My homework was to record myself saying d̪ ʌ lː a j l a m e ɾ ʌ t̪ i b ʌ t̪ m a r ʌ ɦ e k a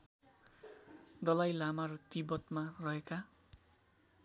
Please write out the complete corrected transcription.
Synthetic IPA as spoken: d̪ ʌ l a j l a m a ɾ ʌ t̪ i b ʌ t̪ m a r ʌ ɦ e k a